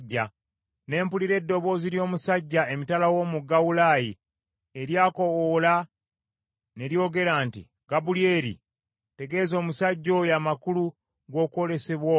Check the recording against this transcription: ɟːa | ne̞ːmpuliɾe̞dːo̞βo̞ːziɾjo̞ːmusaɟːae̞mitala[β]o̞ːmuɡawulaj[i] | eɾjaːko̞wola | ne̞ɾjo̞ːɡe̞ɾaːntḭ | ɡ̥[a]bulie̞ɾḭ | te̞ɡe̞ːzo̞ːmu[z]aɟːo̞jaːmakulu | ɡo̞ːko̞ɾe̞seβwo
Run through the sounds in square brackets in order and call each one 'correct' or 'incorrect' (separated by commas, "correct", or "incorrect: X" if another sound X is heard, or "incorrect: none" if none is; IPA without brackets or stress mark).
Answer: incorrect: w, correct, correct, incorrect: s